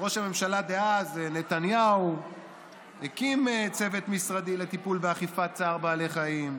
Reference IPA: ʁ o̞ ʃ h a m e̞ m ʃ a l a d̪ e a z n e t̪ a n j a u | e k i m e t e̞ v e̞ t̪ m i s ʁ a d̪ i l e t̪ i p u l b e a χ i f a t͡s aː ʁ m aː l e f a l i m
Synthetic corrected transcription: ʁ o̞ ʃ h a m e̞ m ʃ a l a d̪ e a z n e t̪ a n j a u | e k i m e t͡s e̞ v e̞ t̪ m i s ʁ a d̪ i l e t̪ i p u l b e a χ i f a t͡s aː ʁ b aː l e χ a i m